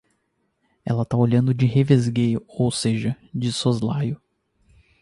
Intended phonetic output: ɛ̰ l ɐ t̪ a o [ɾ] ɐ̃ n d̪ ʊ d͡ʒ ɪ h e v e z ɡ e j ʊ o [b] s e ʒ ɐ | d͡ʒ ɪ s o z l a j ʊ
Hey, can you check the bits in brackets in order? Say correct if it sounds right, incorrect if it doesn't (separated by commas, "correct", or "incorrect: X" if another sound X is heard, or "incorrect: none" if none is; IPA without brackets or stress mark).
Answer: incorrect: ʎ, incorrect: w